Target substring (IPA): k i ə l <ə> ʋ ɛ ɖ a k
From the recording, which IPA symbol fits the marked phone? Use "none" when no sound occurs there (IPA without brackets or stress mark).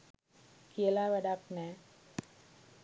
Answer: a